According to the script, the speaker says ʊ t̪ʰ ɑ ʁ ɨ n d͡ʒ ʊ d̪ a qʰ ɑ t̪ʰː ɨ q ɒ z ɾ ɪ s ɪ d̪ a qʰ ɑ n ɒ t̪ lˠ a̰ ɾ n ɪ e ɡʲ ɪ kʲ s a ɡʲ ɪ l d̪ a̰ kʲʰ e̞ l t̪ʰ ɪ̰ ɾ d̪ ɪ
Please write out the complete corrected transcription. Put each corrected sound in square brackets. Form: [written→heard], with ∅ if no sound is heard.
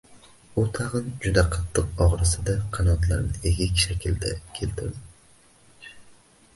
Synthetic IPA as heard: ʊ t̪ʰ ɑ ʁ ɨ n d͡ʒ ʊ d̪ a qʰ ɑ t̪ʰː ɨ q ɒ [z→ʁ] ɾ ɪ s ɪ d̪ a qʰ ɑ n ɒ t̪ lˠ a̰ ɾ n ɪ e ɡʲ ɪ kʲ [s→ʃ] a [ɡʲ→kʲ] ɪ l d̪ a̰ kʲʰ e̞ l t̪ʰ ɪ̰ ɾ d̪ ɪ

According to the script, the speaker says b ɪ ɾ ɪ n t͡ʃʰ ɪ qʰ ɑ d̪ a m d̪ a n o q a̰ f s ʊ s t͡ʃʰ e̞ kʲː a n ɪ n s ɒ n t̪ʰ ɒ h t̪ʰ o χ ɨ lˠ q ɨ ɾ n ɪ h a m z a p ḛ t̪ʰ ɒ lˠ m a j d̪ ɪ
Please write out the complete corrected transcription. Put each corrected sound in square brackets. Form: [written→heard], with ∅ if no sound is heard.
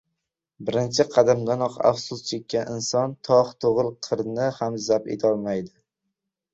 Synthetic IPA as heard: b ɪ ɾ ɪ n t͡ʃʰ ɪ qʰ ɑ d̪ a m d̪ a n [o→ɒ] q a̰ f s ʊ s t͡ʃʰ e̞ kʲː a n ɪ n s ɒ n t̪ʰ ɒ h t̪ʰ o [χ→ʁ] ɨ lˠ [q→qʰ] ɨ ɾ n ɪ h a m z a p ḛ t̪ʰ ɒ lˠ m a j d̪ ɪ

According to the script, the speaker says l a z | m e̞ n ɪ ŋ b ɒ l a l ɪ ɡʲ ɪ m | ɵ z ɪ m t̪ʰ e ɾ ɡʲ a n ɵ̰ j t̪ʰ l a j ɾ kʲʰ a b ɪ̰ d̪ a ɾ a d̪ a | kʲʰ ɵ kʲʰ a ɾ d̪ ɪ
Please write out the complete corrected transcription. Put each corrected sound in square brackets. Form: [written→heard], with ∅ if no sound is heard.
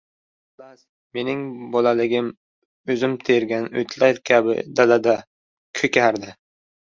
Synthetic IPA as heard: l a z | m e̞ n ɪ ŋ b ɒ l a l ɪ ɡʲ ɪ m | ɵ z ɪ m t̪ʰ e ɾ ɡʲ a n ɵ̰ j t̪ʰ l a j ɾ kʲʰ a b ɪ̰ d̪ a [ɾ→l] a d̪ a | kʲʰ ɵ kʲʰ a ɾ d̪ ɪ

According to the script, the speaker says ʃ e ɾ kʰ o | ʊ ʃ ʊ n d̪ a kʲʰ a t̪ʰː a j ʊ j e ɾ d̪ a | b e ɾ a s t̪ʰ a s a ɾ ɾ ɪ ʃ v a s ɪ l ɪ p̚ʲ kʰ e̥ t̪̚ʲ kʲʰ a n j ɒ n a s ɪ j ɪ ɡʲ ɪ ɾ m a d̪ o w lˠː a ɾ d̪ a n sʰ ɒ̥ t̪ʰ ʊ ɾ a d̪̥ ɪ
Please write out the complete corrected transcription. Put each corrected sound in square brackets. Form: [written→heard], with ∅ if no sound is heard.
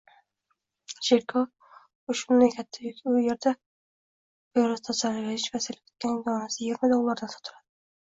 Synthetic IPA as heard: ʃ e ɾ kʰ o | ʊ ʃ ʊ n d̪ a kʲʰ a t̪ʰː a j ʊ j e ɾ d̪ a | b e ɾ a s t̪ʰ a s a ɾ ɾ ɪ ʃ v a s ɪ l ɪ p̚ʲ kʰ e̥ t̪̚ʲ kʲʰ a n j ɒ n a s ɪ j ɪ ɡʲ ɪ ɾ m a d̪ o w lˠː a ɾ d̪ a n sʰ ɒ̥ t̪ʰ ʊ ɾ a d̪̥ ɪ

